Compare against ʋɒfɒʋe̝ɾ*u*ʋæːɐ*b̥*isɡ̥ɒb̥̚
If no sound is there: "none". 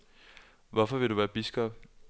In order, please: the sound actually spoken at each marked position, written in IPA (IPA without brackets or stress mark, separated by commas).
u, b̥